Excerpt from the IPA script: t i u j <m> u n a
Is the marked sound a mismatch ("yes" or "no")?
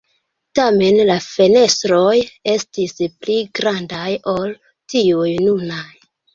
yes